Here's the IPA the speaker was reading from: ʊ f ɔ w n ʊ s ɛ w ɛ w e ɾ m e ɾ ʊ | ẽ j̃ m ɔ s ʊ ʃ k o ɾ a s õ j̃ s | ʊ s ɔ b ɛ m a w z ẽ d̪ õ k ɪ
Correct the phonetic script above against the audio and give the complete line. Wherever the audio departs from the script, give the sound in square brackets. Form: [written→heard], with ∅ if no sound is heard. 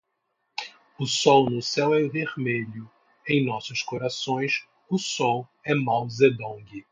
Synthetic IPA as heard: ʊ [f→s] ɔ w n ʊ s ɛ w ɛ [w→v] e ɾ m e [ɾ→ʎ] ʊ | ẽ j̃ [m→n] ɔ s ʊ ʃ k o ɾ a s õ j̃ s | ʊ s ɔ [b→w] ɛ m a w z [ẽ→e] d̪ õ [k→ɡ] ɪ